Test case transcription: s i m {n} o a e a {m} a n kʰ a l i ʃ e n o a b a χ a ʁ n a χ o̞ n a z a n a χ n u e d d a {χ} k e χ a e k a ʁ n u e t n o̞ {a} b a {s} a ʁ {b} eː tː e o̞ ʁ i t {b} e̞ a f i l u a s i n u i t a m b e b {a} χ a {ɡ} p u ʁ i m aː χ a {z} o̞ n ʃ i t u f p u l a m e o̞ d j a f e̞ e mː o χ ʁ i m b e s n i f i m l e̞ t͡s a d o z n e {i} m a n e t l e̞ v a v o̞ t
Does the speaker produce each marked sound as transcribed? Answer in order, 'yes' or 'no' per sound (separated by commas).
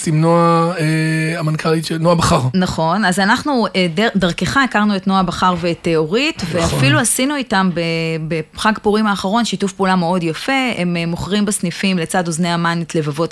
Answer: yes, yes, no, yes, no, no, no, no, yes, no, no